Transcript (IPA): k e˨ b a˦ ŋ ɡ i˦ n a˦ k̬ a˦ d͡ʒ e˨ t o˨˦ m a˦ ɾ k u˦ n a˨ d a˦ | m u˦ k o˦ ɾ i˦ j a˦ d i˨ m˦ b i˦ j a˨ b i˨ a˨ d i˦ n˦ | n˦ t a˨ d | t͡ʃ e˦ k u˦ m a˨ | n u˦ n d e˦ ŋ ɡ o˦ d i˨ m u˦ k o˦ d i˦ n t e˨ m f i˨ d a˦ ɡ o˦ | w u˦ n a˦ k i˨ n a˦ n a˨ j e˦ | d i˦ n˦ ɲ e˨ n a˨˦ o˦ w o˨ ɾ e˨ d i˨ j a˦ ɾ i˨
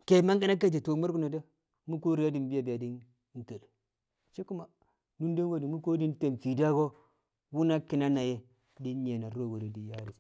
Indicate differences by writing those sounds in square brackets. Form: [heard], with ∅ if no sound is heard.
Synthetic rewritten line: k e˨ [m] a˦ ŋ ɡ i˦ n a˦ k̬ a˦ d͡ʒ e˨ t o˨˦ m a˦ ɾ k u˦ n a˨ d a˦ | m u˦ k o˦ ɾ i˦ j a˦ d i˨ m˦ b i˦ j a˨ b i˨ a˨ d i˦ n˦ | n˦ t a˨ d | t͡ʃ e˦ k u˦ m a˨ | n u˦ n d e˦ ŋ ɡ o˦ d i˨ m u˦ k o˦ d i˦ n t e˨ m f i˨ d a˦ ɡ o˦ | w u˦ n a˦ k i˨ n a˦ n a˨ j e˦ | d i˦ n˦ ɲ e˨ n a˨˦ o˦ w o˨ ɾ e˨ d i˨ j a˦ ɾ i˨

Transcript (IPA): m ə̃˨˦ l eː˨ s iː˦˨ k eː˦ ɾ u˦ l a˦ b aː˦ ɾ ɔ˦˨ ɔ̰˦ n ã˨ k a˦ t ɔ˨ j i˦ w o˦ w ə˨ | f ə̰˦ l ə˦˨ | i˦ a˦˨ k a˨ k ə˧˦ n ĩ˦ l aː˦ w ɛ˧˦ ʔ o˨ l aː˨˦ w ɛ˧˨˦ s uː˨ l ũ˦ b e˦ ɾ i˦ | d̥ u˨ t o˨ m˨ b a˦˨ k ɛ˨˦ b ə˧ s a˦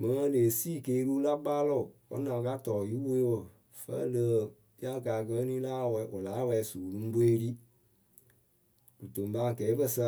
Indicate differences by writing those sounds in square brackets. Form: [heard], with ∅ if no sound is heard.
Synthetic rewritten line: m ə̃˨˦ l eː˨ s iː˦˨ k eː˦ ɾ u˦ l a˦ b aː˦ [l] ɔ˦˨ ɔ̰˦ n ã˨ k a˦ t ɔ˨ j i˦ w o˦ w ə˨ | f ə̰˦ l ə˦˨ | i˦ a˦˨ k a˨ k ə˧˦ n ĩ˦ l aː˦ w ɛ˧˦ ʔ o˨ l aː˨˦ w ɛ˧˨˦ s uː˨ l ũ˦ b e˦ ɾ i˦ | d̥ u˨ t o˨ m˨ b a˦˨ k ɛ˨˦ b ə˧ s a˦

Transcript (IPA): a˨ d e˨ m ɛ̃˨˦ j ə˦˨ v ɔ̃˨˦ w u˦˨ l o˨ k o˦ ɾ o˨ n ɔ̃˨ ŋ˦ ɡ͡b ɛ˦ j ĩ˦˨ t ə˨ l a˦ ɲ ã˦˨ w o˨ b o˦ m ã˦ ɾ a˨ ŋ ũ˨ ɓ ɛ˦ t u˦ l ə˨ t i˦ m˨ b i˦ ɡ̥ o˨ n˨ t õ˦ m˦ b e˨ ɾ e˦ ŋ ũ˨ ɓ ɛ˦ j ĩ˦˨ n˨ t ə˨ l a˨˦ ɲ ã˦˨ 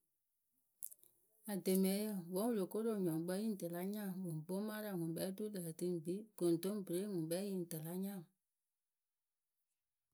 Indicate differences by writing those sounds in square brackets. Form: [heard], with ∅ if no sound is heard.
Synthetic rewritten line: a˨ d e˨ m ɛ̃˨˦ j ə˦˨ [w] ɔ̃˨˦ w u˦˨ l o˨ k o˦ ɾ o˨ [ɲ] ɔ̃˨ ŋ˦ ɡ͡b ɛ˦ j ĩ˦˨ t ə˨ l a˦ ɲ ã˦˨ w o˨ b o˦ m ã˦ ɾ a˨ ŋ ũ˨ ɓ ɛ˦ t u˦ l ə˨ t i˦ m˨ b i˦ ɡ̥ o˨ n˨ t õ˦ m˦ b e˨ ɾ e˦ ŋ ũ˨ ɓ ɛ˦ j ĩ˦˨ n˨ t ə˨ l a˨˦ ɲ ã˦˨

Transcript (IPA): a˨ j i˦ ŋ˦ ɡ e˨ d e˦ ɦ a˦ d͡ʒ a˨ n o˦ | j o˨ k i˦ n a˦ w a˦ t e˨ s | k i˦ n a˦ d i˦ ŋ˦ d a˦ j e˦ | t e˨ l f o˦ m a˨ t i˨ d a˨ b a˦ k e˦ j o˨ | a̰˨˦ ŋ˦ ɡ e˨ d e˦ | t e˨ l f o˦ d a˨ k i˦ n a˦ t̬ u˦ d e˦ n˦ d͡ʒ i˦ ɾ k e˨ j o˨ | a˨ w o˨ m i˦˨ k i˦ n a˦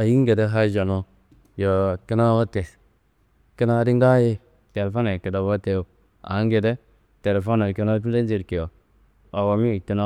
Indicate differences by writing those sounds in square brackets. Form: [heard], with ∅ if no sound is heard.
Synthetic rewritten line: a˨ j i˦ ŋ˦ ɡ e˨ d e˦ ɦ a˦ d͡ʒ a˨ n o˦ | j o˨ k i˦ n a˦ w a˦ t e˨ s | k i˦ n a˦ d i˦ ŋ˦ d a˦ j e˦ | t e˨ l f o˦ [n] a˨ [k] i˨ d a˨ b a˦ [t] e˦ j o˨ | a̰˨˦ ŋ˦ ɡ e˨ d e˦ | t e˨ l f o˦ [n] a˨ k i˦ n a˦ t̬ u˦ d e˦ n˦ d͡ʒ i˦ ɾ k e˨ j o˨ | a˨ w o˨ m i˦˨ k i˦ n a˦

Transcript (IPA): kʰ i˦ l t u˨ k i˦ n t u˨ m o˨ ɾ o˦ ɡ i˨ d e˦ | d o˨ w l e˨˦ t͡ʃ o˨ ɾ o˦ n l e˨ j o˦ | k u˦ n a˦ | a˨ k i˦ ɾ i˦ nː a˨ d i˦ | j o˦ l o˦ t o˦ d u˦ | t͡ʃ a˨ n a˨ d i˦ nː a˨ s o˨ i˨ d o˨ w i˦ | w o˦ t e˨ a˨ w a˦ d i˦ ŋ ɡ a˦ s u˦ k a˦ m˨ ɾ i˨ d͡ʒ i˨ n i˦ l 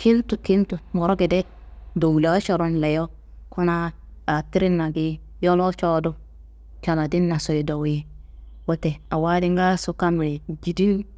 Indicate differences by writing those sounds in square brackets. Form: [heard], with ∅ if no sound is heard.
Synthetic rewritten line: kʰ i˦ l t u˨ k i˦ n t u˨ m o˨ ɾ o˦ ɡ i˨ d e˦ | d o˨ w l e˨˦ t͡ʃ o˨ ɾ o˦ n l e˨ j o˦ | k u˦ n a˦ | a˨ [t] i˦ ɾ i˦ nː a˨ [ɡ] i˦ | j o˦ l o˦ [t͡ʃ] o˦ d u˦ | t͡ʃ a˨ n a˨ d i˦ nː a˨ s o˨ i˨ d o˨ w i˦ | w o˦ t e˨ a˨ w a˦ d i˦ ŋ ɡ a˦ s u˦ k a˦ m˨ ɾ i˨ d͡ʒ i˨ [d] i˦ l

